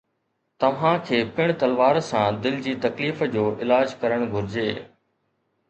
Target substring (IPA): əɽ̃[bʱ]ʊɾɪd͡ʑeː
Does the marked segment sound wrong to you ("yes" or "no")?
yes